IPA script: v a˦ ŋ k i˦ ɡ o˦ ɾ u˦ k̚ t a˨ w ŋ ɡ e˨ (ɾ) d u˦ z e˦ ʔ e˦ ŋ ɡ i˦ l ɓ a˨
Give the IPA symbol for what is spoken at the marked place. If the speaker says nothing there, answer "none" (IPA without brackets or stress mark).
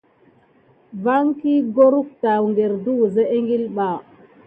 ɾ